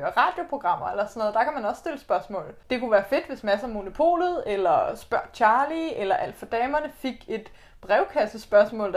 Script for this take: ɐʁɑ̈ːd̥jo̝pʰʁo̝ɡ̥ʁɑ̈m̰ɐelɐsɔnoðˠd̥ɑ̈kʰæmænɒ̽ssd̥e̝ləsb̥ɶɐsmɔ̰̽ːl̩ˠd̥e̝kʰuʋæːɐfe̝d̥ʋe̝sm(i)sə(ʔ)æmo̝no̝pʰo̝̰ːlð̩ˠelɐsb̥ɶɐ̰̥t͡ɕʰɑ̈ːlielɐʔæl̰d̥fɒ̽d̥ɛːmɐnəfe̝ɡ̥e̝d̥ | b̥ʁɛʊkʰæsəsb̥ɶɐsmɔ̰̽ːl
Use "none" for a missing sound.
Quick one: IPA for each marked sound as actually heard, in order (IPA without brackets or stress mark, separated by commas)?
æ, none